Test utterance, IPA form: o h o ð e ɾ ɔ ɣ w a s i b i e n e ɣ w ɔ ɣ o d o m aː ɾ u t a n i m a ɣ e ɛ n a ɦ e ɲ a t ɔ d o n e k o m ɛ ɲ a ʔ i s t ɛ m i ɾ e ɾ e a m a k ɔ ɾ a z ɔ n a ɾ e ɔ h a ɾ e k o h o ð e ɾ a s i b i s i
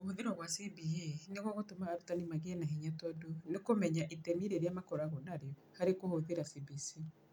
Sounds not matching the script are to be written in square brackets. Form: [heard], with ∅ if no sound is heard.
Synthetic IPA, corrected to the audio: o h o ð e ɾ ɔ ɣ w a s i b i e n e ɣ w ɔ ɣ o [t] o m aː ɾ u t a n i m a ɣ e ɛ n a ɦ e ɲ a t ɔ d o n e k o m ɛ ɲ a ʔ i [∅] t ɛ m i ɾ e ɾ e a m a k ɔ ɾ a [ɣ] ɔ n a ɾ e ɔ h a ɾ e k o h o ð e ɾ a s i b i s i